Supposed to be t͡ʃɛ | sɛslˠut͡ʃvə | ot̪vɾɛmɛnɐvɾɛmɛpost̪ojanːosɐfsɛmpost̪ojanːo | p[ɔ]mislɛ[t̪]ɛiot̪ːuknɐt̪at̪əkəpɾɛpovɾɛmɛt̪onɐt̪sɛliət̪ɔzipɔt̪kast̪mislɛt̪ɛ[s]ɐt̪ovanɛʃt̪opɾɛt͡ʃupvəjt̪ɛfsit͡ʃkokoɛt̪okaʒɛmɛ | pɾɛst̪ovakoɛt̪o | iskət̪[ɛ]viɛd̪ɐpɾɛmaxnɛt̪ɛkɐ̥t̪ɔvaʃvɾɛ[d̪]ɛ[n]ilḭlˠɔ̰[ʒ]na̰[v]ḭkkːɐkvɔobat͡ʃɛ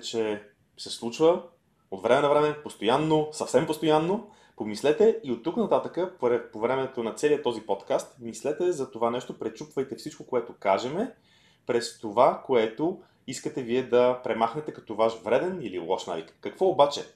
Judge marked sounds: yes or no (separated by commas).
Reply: no, yes, no, yes, yes, yes, no, yes